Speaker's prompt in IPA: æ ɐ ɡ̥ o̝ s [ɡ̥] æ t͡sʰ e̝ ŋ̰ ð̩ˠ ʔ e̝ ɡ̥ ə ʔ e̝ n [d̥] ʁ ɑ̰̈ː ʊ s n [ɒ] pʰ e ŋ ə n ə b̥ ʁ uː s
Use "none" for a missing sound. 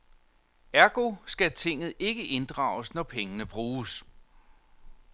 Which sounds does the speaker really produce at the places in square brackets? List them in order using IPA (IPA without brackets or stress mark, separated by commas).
ɡ̥, d̥, ɒ